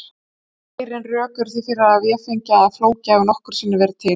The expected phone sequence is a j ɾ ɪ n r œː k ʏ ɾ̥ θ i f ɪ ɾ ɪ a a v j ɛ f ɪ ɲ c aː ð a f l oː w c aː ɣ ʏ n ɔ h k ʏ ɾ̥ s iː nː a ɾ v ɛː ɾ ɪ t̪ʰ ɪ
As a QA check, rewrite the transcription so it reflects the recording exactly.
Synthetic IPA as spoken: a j ɾ ɪ n r œː k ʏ ɾ̥ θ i f ɪ ɾ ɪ a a v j ɛ f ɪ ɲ c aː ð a f l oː w c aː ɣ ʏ n ɔ h k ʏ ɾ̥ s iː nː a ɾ v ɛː ɾ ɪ t̪ʰ ɪ